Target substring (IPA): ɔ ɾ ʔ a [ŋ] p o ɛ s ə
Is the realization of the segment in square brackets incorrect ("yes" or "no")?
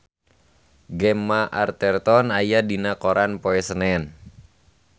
yes